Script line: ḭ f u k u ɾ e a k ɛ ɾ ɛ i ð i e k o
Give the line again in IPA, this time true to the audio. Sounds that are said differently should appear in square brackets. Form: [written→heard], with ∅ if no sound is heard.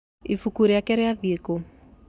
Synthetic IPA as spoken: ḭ f u k u ɾ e a k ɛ ɾ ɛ [i→a] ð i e k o